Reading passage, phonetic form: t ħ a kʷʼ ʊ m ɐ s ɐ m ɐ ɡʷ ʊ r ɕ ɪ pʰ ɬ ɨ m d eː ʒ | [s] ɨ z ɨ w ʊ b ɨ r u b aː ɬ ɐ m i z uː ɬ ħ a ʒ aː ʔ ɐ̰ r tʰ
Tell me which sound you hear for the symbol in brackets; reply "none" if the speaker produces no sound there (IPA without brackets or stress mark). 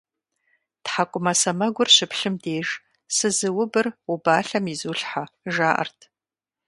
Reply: s